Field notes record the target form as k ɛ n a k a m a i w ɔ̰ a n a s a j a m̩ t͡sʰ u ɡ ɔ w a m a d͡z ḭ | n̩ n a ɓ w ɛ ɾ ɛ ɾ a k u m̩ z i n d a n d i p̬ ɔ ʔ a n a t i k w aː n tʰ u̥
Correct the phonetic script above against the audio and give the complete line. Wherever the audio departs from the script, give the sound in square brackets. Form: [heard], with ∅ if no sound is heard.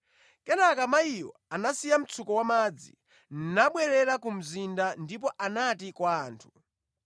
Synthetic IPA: k ɛ n a k a m a i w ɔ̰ a n a s [i] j a m̩ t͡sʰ u [k] ɔ w a m a d͡z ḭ | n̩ n a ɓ w ɛ ɾ ɛ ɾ a k u m̩ z i n d a n d i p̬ ɔ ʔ a n a t i k w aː n tʰ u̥